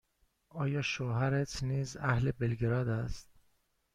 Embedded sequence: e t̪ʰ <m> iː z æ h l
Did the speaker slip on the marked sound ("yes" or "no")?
yes